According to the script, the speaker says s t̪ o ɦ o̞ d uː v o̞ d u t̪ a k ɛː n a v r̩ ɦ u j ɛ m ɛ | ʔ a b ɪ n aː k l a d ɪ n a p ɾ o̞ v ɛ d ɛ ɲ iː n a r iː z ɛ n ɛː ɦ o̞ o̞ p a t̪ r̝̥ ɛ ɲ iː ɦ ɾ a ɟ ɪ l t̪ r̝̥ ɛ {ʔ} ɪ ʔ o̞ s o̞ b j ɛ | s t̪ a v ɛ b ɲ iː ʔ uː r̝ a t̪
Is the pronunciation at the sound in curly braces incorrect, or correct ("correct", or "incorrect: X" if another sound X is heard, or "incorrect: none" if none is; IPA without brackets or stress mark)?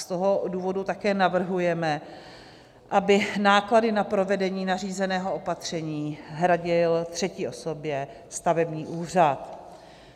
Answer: incorrect: c